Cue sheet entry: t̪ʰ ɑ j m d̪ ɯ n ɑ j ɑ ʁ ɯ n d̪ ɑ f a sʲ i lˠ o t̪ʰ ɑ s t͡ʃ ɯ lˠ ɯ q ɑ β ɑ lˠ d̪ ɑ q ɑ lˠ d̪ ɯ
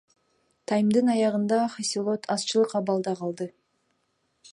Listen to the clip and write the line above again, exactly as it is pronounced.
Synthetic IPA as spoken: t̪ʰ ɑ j m d̪ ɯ n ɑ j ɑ ʁ ɯ n d̪ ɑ χ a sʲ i lˠ o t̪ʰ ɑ s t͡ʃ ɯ lˠ ɯ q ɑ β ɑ lˠ d̪ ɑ q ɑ lˠ d̪ ɯ